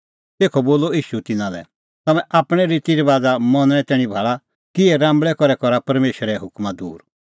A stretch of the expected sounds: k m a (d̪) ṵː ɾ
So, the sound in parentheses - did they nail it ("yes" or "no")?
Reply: yes